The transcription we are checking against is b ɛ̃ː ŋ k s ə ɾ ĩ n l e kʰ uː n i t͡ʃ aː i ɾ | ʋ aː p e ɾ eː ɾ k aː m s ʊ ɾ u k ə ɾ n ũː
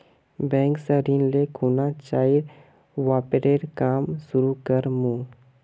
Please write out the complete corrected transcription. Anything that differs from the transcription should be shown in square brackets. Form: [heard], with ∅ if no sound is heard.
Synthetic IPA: b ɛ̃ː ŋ k s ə ɾ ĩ n l e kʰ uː n [a] t͡ʃ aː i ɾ | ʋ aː p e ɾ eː ɾ k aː m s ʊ ɾ u k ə ɾ [m] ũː